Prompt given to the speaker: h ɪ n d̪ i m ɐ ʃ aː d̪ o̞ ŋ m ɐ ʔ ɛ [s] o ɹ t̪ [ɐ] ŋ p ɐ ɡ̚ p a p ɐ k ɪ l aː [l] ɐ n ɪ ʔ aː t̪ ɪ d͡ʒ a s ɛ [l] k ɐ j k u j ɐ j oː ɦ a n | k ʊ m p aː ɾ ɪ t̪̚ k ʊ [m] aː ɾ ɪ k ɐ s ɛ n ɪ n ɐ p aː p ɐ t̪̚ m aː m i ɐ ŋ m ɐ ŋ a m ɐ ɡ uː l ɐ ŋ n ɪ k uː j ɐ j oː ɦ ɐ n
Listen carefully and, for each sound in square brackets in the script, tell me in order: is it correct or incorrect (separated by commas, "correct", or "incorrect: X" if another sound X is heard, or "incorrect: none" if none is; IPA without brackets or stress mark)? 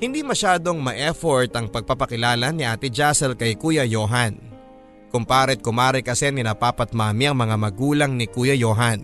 incorrect: f, correct, correct, correct, correct